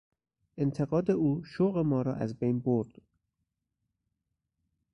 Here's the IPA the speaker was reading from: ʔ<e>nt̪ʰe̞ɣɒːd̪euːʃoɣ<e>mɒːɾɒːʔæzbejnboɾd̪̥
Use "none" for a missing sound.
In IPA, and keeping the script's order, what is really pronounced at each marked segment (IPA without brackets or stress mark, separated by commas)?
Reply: e, e